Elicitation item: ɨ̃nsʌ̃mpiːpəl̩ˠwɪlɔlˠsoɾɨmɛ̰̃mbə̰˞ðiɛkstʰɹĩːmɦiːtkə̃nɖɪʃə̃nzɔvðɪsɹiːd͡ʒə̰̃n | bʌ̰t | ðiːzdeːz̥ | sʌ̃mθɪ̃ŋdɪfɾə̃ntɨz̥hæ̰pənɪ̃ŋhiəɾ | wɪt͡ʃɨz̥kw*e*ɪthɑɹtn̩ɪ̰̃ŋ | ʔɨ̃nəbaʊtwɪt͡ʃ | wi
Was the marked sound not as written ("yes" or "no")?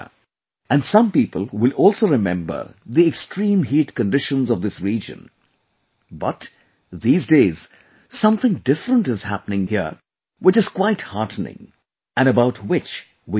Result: yes